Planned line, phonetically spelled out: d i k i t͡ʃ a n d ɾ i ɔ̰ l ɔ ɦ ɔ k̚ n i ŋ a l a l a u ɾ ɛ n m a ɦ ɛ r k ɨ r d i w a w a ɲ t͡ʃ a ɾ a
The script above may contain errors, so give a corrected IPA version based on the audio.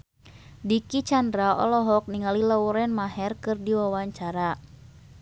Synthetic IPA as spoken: d i k i t͡ʃ a n d ɾ a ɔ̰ l ɔ ɦ ɔ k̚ n i ŋ a l i l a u ɾ ɛ n m a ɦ ɛ r k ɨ r d i w a w a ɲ t͡ʃ a ɾ a